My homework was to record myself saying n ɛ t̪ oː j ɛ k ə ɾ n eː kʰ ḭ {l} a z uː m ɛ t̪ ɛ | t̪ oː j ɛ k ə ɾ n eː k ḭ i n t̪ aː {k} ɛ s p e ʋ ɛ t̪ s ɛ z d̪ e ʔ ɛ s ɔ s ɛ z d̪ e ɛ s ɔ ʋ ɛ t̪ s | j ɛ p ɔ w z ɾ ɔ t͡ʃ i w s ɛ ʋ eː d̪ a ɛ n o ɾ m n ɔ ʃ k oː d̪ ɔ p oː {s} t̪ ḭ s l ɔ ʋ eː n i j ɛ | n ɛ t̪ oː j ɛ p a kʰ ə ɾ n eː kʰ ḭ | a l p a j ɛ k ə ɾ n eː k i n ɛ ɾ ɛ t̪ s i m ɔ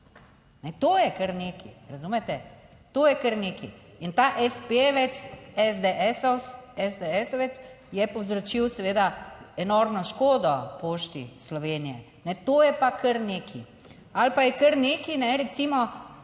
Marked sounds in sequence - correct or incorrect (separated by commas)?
incorrect, incorrect, incorrect